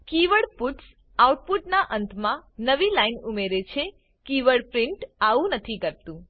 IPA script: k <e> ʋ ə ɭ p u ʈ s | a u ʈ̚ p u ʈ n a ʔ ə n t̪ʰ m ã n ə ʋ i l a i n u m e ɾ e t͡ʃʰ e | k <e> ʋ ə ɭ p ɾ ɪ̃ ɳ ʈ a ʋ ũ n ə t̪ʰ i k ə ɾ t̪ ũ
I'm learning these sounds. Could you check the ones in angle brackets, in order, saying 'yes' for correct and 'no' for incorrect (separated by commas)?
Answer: no, no